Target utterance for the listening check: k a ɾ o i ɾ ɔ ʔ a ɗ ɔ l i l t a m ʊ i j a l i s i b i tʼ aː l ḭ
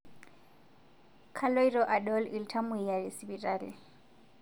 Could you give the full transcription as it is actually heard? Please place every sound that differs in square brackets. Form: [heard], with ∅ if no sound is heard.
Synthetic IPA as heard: [kʰ] a [l] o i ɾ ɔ ʔ a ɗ ɔ l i l [tʰ] a m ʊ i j a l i s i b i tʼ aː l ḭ